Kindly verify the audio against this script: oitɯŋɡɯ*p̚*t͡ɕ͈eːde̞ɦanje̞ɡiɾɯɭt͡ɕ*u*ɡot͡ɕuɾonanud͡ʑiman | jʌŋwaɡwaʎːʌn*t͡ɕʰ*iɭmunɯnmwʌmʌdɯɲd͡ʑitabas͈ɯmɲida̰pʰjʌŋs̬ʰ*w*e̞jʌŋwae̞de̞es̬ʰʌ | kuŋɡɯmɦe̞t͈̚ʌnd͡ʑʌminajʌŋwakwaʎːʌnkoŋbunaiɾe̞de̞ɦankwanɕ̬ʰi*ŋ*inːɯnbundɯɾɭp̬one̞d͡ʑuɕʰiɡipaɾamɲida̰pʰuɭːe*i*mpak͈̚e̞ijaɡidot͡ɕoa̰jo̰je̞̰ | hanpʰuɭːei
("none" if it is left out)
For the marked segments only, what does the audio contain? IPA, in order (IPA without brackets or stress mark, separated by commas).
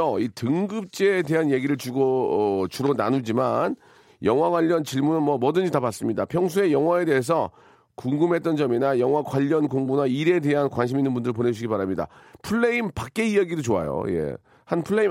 p̚, u, t͡ɕ, u, m, i